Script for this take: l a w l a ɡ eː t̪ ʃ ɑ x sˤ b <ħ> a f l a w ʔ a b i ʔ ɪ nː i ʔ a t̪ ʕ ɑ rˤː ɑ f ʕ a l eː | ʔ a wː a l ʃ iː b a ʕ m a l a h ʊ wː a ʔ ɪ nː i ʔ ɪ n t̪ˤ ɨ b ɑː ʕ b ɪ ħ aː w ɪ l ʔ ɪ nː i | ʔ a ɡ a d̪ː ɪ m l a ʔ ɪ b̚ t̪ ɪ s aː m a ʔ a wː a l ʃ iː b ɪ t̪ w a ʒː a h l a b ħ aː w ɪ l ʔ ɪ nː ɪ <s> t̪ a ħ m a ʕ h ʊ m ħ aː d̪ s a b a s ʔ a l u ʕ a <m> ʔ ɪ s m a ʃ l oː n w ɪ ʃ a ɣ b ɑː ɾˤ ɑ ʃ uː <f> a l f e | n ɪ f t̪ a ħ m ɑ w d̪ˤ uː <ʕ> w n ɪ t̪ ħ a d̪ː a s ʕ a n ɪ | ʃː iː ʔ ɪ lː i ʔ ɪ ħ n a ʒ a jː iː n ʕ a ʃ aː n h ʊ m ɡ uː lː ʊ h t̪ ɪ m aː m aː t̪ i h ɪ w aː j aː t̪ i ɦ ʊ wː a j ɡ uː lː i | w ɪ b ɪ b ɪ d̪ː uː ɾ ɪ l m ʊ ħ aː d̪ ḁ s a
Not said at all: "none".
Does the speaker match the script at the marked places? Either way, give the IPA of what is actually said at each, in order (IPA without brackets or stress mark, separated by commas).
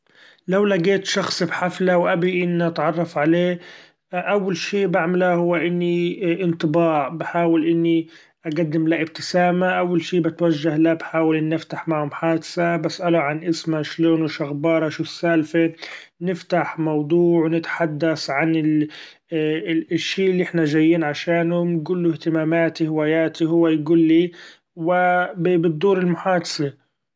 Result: ħ, f, n, s, ʕ